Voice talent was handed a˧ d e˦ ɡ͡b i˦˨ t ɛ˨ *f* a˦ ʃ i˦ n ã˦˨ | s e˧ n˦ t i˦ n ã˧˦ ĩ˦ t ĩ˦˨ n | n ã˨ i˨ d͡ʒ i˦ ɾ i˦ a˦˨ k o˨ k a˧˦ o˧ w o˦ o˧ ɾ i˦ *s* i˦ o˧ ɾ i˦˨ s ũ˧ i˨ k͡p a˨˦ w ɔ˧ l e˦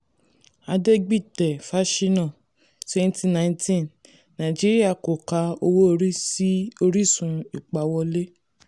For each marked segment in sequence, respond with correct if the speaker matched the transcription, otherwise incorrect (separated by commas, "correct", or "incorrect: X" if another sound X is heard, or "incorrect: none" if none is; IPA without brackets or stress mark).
correct, correct